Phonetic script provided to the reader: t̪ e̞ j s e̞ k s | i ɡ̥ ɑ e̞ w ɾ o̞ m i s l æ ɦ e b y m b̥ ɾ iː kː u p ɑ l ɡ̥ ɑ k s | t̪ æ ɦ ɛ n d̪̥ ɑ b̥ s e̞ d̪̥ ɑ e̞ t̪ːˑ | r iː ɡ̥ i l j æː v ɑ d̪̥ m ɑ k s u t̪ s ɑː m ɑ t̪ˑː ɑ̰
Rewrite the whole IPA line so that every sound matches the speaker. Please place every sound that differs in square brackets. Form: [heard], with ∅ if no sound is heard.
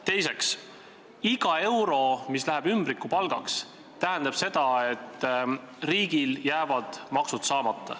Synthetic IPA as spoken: t̪ e̞ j s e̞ k s | i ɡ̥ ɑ e̞ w ɾ o̞ m i s l æ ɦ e b y m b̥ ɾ [i] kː u p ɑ l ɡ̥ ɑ k s | t̪ æ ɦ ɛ n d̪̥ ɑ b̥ s e̞ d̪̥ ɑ e̞ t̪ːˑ | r iː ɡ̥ i l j æː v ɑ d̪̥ m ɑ k s u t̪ s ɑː m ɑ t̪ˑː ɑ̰